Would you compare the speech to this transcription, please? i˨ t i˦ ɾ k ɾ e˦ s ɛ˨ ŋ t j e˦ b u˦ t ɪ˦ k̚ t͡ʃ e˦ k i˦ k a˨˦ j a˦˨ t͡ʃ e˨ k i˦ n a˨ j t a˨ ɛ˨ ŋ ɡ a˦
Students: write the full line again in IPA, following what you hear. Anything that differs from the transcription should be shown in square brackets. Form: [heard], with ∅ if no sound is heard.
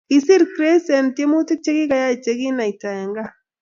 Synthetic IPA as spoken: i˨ [s] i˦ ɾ k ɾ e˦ s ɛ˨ [n] t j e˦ [m] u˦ t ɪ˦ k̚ t͡ʃ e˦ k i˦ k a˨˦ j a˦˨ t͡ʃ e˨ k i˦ n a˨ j t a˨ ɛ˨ ŋ ɡ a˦